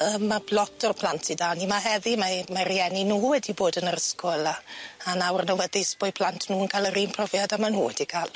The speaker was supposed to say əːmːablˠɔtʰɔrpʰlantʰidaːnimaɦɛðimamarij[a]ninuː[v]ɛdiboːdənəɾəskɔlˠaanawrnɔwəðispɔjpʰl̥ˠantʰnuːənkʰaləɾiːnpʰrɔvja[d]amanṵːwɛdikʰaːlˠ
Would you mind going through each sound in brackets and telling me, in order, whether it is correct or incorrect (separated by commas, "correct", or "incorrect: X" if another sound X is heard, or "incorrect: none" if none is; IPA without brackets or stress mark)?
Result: incorrect: ɛ, incorrect: w, correct